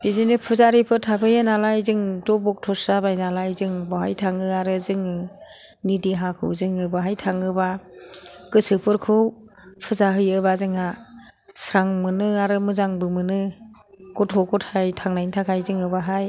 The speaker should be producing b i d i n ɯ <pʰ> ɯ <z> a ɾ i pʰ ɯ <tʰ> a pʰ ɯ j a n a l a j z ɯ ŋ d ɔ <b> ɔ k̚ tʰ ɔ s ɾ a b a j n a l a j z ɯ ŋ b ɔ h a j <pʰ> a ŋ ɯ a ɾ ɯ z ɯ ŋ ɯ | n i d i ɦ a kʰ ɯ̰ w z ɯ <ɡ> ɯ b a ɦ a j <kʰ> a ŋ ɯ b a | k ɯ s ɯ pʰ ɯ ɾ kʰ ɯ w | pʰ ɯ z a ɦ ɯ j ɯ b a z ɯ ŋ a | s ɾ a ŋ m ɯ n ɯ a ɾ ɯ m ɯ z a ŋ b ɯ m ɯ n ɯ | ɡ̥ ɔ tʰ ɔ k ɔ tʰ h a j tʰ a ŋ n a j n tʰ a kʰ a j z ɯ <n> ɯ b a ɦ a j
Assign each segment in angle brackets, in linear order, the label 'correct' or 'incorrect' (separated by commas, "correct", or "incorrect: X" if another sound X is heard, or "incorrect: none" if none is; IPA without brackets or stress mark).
correct, correct, correct, correct, incorrect: tʰ, incorrect: ŋ, incorrect: tʰ, incorrect: ŋ